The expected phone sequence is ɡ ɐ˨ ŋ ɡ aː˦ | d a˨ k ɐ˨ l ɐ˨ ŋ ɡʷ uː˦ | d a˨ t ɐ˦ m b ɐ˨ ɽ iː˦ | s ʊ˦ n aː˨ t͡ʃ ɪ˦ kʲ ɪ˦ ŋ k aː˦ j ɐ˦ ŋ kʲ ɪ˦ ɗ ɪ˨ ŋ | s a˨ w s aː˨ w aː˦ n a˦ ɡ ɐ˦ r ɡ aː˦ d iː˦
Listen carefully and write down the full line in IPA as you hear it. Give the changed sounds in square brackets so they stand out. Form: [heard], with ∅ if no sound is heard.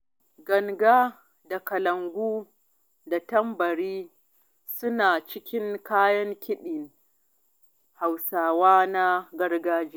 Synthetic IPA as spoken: ɡ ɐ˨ ŋ ɡ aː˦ | d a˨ k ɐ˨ l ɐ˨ ŋ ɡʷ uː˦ | d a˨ t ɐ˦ m b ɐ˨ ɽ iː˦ | s ʊ˦ n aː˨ t͡ʃ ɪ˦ kʲ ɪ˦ ŋ k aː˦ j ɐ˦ ŋ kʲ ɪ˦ ɗ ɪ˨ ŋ | [h] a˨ w s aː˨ w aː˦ n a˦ ɡ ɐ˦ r ɡ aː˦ [d͡ʒ] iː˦